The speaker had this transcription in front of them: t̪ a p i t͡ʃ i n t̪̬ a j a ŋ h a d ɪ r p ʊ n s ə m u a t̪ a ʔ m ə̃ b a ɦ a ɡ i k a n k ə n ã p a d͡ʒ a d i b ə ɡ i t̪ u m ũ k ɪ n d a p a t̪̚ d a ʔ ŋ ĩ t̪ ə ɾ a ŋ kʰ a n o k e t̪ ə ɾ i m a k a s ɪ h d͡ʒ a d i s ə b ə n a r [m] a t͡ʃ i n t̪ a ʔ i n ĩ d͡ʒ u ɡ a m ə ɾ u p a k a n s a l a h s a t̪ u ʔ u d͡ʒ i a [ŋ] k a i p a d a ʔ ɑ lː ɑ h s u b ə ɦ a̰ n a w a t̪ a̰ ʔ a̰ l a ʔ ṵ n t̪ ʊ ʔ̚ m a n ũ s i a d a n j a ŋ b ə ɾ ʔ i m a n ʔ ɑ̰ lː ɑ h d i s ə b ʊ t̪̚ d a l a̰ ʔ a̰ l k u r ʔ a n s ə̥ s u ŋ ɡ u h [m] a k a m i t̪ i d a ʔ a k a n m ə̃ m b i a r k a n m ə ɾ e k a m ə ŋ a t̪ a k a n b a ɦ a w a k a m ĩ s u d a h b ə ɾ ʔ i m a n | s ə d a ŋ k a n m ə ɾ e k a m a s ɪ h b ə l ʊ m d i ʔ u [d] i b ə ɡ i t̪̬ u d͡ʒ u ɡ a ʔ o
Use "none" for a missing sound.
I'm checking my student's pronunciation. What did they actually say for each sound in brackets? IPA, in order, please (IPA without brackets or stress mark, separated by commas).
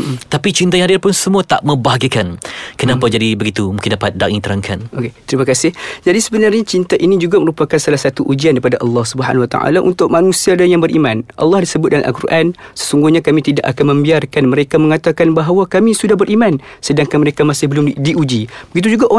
ɲ, n, ɲ, d͡ʒ